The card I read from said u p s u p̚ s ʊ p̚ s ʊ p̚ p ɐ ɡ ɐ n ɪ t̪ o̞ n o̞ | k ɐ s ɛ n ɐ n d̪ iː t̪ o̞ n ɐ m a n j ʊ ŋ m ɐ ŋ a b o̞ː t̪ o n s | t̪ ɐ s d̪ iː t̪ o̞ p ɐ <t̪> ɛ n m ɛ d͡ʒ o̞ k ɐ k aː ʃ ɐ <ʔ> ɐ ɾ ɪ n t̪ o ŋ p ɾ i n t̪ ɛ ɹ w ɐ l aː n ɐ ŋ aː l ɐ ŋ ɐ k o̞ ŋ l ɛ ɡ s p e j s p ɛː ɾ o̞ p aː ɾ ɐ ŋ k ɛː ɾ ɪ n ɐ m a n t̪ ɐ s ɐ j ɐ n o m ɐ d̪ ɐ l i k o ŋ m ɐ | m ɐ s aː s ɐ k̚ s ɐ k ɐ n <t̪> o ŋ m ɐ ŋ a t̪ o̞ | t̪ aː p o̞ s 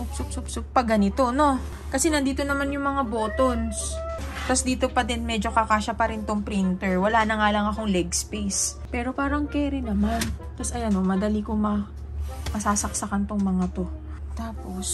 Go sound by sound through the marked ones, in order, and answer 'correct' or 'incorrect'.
incorrect, incorrect, correct

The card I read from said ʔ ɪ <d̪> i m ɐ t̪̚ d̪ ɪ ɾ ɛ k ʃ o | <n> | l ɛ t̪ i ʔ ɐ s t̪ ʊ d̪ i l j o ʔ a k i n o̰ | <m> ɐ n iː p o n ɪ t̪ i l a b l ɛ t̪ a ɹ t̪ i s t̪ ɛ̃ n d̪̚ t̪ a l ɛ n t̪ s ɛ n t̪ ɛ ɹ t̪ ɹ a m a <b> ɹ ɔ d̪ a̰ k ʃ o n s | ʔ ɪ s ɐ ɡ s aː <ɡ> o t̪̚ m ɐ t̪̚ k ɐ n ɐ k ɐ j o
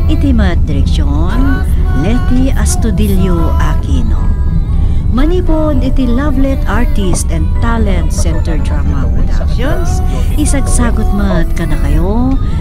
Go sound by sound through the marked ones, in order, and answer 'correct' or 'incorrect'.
incorrect, correct, correct, incorrect, correct

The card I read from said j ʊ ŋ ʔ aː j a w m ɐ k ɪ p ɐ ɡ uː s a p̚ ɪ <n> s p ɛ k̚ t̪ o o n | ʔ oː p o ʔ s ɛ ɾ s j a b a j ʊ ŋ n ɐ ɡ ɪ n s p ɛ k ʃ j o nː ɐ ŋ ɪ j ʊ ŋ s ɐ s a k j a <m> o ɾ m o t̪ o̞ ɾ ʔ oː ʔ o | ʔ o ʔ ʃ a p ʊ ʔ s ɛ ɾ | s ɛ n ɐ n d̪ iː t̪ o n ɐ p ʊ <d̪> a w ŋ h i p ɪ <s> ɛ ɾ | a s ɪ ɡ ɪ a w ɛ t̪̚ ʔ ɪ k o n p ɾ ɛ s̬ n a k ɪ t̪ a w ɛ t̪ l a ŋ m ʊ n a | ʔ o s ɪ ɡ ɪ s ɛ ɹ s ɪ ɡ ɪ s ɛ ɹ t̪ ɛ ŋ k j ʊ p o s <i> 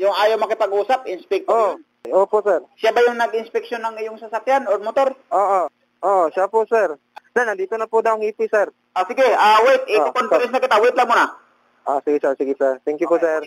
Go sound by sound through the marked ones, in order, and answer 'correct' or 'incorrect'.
correct, incorrect, correct, correct, incorrect

